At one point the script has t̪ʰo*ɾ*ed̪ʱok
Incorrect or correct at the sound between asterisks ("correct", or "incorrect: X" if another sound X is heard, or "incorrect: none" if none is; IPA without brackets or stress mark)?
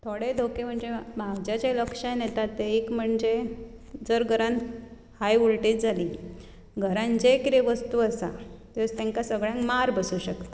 incorrect: ɽ